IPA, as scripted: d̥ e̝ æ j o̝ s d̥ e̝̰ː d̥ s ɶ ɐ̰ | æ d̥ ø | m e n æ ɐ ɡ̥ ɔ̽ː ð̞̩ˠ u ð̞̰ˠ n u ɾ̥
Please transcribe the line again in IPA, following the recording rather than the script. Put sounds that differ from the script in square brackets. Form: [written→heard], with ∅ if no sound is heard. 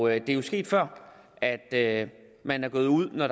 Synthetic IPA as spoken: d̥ e̝ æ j o̝ s [d̥→ɡ̥] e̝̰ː d̥ [s→f] ɶ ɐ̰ | æ d̥ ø | m [e→æ] n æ ɐ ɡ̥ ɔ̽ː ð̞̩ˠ u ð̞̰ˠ n [u→ɒ] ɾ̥